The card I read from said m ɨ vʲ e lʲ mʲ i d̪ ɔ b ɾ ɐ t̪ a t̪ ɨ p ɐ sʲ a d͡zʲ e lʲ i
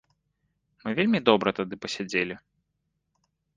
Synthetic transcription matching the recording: m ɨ vʲ e lʲ mʲ i d̪ ɔ b ɾ ɐ t̪ a d̪ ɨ p ɐ sʲ a d͡zʲ e lʲ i